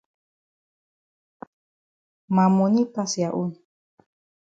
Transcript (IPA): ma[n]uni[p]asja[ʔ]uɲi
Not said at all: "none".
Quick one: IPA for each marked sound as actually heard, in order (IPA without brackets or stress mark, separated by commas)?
m, p, ʔ